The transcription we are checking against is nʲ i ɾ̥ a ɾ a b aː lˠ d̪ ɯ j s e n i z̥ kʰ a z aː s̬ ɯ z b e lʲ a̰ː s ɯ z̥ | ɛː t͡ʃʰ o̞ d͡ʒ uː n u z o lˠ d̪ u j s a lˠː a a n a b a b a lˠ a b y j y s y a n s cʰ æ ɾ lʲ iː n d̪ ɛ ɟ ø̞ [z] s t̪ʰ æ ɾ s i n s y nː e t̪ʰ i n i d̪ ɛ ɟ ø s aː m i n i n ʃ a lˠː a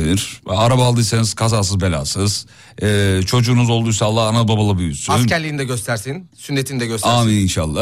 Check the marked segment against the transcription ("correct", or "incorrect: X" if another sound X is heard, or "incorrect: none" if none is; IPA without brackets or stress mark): incorrect: none